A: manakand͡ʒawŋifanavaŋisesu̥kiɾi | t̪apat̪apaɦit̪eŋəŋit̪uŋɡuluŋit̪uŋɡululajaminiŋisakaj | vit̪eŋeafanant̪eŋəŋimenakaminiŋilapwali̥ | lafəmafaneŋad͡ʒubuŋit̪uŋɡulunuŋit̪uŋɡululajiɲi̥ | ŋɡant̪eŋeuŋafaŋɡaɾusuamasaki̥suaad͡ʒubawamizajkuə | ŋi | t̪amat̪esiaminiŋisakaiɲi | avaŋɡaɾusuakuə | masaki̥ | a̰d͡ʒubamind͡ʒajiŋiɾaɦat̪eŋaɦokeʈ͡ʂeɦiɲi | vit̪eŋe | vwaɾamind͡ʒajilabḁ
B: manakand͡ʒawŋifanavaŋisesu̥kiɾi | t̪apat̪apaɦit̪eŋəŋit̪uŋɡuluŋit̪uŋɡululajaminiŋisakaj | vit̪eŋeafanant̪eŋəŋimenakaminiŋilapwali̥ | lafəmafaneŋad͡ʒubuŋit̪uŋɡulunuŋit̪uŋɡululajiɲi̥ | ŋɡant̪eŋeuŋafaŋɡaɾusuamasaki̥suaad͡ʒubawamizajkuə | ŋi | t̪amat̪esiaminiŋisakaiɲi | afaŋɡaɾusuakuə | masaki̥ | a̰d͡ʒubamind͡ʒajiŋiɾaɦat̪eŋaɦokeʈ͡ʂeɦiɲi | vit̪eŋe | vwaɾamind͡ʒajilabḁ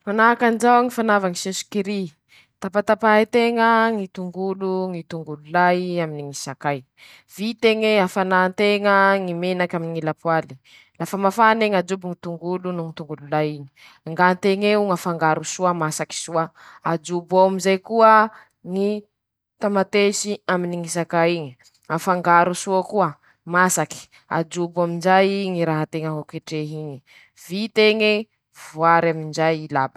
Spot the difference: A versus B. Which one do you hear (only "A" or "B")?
B